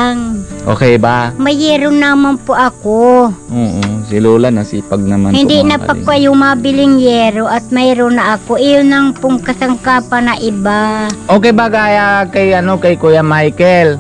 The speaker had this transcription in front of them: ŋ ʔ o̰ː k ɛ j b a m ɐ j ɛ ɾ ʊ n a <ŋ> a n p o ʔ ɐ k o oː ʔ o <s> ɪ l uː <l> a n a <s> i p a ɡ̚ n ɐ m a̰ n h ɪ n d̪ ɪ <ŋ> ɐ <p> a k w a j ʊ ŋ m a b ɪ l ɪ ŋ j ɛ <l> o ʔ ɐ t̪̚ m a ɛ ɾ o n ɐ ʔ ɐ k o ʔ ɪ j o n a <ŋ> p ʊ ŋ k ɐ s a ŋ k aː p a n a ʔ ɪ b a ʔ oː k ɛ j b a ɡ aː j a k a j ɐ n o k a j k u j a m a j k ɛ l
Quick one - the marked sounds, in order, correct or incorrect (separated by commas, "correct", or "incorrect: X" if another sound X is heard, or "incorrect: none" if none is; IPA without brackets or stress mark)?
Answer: incorrect: m, correct, correct, correct, incorrect: n, correct, incorrect: ɾ, correct